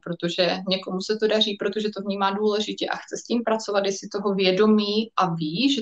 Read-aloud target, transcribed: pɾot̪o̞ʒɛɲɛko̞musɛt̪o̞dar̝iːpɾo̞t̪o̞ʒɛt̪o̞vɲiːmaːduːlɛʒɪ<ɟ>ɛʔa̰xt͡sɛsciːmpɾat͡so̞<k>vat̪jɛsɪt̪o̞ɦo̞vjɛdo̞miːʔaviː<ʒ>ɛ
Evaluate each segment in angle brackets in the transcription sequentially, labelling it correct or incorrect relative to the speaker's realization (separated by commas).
incorrect, incorrect, correct